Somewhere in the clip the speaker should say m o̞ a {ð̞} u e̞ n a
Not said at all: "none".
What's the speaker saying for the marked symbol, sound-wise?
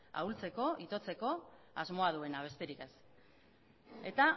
ð̞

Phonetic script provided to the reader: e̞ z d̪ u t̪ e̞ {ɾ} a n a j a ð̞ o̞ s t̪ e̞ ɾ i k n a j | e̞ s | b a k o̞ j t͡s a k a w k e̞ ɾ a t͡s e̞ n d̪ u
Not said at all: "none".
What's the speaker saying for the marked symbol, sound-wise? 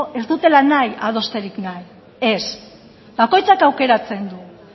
l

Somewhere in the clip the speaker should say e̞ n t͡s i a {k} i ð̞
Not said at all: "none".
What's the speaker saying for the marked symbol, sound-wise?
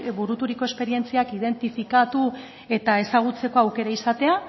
k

